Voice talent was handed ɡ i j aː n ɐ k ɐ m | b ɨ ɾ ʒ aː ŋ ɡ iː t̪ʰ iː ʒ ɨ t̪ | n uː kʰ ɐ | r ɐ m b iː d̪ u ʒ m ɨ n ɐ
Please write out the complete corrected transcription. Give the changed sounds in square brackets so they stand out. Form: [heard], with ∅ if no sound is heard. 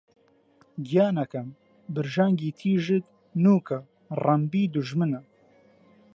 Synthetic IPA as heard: ɡ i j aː n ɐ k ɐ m | b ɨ ɾ ʒ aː ŋ ɡ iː t̪ʰ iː ʒ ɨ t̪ | n uː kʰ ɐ | r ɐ m b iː d̪ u ʒ m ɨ n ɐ